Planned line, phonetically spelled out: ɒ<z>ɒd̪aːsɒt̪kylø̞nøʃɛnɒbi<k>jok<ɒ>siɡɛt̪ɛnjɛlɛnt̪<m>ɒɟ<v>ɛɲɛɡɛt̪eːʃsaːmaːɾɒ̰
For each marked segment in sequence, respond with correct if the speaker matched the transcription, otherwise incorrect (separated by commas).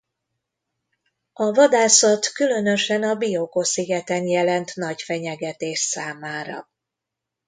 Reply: incorrect, incorrect, incorrect, incorrect, incorrect